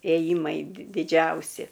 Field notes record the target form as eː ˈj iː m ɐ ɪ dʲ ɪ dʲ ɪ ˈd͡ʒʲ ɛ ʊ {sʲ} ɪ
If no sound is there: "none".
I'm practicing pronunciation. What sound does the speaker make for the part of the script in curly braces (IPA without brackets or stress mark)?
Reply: sʲ